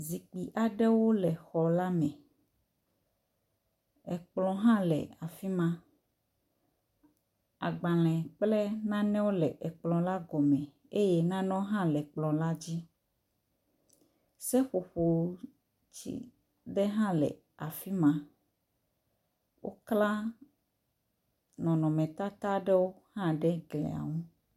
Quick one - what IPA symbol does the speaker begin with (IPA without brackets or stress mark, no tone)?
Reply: z